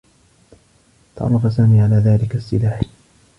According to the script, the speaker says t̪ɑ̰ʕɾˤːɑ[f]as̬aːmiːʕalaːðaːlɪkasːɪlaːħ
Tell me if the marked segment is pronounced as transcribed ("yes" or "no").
yes